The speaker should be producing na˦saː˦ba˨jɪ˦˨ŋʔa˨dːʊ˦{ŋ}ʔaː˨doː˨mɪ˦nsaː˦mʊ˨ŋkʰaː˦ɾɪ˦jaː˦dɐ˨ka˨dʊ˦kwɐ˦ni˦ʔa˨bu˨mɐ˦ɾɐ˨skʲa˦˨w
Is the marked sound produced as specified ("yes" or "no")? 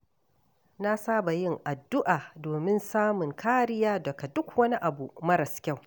no